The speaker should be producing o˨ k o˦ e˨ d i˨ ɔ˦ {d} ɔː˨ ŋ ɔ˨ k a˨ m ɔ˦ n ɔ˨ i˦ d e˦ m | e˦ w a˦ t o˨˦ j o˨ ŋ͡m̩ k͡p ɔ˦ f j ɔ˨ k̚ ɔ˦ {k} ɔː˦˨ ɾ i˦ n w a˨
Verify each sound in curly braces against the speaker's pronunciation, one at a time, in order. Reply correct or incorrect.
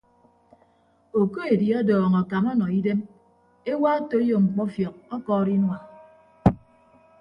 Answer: correct, correct

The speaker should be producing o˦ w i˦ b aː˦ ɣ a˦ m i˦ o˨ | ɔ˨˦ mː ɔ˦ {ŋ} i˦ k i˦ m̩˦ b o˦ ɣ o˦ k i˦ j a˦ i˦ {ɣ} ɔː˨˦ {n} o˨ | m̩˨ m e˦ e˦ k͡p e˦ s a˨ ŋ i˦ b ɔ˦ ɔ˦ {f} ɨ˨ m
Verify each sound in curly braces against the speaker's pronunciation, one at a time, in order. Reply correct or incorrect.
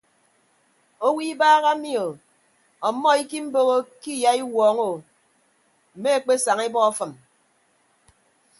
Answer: incorrect: none, incorrect: w, incorrect: ŋ, correct

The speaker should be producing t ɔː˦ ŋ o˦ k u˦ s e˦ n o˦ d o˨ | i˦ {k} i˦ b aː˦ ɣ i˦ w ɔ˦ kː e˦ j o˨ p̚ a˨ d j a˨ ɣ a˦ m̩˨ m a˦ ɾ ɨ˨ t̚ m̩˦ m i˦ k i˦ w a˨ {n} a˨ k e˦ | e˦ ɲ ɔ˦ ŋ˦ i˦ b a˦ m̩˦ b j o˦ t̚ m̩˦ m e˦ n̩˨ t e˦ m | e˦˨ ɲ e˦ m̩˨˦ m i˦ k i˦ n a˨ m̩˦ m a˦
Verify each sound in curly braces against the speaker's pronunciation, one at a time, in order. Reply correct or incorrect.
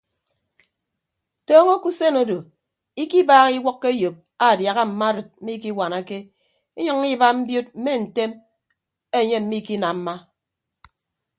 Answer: correct, correct

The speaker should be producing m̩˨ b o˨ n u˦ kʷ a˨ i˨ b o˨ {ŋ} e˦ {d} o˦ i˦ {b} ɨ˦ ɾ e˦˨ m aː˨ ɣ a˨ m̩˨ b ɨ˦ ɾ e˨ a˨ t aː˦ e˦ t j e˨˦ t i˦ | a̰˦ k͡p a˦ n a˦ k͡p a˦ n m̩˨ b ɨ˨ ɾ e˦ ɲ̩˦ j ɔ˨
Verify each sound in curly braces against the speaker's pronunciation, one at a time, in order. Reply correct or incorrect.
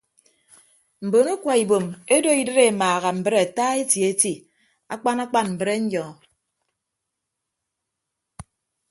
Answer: incorrect: m, correct, incorrect: d

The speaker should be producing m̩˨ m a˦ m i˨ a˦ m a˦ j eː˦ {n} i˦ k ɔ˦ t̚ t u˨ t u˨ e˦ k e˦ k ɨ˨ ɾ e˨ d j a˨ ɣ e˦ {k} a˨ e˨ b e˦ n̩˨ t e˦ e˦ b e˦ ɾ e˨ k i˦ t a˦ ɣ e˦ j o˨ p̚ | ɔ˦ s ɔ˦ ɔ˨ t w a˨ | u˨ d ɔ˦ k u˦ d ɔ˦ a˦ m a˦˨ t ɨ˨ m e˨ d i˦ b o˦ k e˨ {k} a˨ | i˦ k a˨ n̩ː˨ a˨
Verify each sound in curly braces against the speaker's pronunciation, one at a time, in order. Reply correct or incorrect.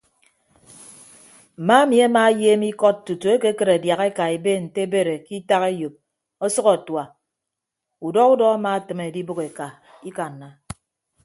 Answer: incorrect: m, correct, correct

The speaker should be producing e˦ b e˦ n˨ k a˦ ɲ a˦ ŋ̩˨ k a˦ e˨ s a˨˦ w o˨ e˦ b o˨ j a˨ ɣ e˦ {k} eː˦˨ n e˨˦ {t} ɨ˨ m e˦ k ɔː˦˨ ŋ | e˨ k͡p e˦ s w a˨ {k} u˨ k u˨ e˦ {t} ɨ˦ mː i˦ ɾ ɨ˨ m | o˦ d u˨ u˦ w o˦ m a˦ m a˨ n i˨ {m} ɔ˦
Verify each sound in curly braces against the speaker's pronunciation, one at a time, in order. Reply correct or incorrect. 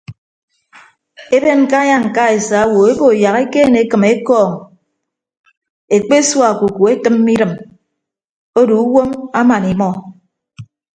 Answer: correct, incorrect: k, correct, correct, correct

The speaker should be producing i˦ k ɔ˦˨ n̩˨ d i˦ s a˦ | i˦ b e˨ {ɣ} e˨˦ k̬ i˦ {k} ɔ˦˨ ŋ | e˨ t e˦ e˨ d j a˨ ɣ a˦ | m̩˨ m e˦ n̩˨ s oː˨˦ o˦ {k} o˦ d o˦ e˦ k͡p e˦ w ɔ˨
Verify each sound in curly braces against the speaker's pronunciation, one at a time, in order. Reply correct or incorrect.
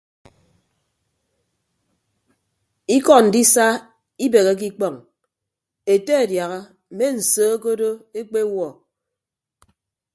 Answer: correct, incorrect: k͡p, correct

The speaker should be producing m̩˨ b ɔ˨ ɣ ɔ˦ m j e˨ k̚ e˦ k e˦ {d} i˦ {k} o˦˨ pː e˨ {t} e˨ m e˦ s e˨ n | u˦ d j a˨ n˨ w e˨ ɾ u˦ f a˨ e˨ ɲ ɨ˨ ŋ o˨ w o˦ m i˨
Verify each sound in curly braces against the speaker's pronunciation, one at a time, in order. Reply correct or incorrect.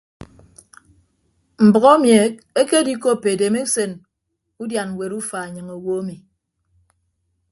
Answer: correct, correct, incorrect: d

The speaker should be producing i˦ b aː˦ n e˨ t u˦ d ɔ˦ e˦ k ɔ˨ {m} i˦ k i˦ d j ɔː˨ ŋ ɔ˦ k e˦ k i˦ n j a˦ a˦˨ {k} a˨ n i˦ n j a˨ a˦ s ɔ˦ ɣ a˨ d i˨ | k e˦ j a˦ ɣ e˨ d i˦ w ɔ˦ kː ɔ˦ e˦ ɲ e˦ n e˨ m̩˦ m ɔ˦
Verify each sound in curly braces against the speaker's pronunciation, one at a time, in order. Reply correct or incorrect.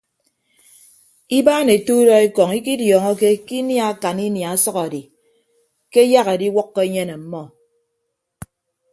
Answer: incorrect: ŋ, correct

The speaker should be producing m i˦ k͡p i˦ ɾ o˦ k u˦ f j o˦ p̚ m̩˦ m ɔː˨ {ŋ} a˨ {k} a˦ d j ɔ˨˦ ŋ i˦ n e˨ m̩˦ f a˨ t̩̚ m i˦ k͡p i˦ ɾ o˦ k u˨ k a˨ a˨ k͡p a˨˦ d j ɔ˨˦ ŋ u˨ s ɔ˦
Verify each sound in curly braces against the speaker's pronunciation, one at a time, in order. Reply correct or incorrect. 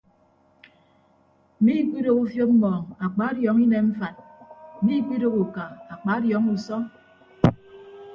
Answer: correct, incorrect: k͡p

